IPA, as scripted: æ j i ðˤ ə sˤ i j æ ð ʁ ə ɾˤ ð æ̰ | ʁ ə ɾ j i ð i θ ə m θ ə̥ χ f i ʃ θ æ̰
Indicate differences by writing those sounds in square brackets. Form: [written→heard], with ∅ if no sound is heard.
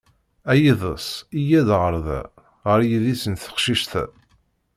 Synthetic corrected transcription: æ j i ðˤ ə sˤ i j æ ð ʁ ə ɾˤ ð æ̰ | ʁ ə ɾ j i ð i [θ→s] ə [m→n] θ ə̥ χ [f→ʃ] i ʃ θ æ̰